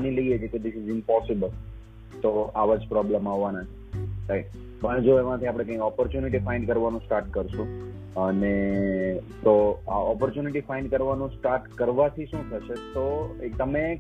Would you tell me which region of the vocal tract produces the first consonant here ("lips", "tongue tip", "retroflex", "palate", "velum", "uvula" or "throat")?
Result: tongue tip